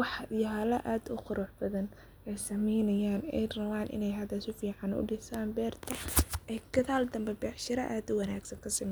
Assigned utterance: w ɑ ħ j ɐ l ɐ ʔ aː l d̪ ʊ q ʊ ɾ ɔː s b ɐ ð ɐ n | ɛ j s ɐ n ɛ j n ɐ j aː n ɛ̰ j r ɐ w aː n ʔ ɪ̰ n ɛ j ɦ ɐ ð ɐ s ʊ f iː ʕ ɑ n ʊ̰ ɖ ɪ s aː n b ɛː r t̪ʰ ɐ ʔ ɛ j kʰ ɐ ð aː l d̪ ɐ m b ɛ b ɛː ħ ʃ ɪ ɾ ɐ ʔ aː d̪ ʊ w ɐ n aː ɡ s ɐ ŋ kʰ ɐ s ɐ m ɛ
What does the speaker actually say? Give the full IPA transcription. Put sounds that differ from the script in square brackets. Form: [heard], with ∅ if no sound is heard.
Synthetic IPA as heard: w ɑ ħ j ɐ l ɐ ʔ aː [∅] d̪ ʊ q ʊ ɾ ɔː [ħ] b ɐ ð ɐ n | ɛ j s ɐ [m] ɛ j n ɐ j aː n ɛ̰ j r ɐ w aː n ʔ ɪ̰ n ɛ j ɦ ɐ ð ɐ s ʊ f iː ʕ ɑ n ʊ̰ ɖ ɪ s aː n b ɛː r t̪ʰ ɐ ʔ ɛ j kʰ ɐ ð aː l d̪ ɐ m b ɛ b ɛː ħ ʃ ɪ ɾ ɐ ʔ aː d̪ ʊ w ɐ n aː ɡ s ɐ ŋ kʰ ɐ s ɐ m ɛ